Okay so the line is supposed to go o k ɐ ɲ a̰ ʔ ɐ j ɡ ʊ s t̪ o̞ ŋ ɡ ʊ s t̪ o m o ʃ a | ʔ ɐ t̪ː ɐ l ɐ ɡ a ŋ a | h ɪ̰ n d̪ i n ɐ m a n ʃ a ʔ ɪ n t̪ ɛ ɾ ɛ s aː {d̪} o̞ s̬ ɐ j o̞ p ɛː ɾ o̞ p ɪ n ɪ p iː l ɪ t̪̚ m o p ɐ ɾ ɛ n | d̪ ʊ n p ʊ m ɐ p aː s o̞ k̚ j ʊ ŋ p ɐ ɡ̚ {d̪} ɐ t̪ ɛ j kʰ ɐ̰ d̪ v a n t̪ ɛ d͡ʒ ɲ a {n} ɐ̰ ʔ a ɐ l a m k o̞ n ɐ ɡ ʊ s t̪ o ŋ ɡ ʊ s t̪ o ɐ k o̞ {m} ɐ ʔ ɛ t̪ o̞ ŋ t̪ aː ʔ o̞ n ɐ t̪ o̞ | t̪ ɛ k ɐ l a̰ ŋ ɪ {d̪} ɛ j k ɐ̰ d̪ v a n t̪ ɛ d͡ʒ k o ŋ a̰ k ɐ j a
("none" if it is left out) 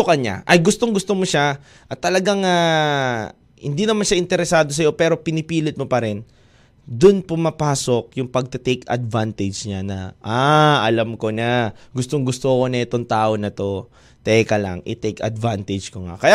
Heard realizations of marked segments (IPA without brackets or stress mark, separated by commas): d̪, t̪, n, n, t̪